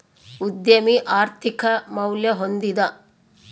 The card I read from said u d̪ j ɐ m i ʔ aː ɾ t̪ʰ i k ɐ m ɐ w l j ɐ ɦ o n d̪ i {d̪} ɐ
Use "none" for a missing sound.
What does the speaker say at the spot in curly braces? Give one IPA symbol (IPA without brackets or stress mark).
d̪